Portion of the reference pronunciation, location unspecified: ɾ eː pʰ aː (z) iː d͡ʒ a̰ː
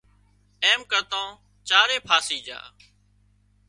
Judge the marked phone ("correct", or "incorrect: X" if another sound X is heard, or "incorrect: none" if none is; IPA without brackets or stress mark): incorrect: s